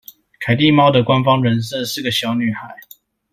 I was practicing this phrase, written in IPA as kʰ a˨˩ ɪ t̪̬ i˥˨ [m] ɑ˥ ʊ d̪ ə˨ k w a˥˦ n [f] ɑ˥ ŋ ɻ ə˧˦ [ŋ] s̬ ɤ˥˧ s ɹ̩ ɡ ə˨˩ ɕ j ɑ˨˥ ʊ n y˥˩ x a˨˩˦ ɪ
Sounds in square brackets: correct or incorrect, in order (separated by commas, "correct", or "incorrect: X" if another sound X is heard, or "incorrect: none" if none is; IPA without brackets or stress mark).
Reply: correct, correct, incorrect: n